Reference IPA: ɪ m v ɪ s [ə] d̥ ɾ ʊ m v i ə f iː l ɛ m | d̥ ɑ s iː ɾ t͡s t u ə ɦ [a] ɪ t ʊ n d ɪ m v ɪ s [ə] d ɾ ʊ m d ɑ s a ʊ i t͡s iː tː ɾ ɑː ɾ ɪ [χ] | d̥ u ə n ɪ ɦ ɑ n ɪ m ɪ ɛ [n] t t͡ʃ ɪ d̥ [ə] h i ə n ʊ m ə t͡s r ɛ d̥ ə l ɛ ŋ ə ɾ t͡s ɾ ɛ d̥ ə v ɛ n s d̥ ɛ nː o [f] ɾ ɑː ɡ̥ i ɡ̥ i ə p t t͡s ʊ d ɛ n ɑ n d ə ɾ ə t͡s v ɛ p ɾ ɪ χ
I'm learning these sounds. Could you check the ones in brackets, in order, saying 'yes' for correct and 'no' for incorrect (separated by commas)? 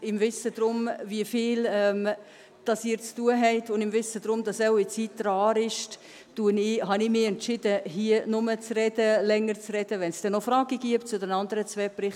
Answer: yes, no, yes, no, yes, yes, yes